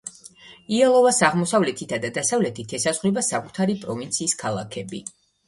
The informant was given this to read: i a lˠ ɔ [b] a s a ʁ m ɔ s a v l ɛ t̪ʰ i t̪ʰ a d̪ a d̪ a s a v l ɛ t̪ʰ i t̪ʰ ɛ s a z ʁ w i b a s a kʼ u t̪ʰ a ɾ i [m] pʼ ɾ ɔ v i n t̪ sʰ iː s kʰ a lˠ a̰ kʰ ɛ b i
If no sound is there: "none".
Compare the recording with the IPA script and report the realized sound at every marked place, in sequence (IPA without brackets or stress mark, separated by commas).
v, none